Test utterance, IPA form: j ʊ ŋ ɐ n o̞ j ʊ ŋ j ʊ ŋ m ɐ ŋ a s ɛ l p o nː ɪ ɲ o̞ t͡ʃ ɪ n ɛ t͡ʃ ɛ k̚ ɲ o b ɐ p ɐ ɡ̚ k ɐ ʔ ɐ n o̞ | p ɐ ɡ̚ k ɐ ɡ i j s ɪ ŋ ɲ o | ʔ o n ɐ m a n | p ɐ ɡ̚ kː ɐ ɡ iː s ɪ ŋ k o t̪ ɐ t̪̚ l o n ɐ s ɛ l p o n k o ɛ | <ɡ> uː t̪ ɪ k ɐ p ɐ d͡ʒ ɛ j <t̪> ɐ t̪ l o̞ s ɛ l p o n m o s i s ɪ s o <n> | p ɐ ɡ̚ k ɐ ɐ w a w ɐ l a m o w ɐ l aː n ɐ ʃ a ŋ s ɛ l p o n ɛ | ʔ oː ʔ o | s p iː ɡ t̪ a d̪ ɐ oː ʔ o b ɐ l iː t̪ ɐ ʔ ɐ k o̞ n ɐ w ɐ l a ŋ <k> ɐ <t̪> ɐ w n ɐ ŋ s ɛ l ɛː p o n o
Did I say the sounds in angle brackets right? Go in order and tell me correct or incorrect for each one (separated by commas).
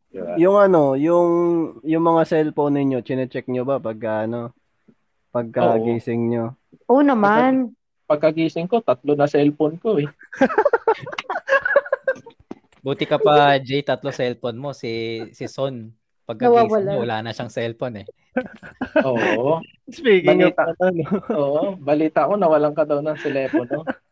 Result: incorrect, correct, correct, correct, incorrect